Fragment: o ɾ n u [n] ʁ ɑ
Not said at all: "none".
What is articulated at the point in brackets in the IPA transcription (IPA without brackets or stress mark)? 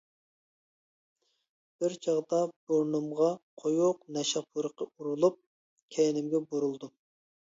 m